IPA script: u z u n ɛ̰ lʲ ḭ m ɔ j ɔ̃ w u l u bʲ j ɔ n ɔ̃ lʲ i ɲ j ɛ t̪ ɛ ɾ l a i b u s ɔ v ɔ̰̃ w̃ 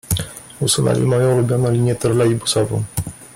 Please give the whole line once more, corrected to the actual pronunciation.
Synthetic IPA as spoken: u s u n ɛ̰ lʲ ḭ m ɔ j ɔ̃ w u l u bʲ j ɔ n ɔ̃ lʲ i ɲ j ɛ t̪ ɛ ɾ l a i b u s ɔ v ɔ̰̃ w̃